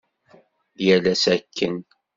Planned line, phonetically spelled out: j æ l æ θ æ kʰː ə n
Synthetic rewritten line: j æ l æ s æ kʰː ə n